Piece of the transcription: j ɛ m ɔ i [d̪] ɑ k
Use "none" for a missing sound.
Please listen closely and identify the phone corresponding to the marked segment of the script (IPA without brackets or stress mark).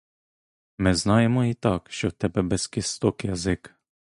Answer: t̪